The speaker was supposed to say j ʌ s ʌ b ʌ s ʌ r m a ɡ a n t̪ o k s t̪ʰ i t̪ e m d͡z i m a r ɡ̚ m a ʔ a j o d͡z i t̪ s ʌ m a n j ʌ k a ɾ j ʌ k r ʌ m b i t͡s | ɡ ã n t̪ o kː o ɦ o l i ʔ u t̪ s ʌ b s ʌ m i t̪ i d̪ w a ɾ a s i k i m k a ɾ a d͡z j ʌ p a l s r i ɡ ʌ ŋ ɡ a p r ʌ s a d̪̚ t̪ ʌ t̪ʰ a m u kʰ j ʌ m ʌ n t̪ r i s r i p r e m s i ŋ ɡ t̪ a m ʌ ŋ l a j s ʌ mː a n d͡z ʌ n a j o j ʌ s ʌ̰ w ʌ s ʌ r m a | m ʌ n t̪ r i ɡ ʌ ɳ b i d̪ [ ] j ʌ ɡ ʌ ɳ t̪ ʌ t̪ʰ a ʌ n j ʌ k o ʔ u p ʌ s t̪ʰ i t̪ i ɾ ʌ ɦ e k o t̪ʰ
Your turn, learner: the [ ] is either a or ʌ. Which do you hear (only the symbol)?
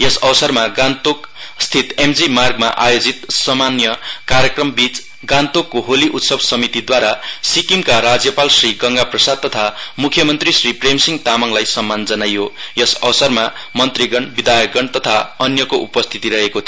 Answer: a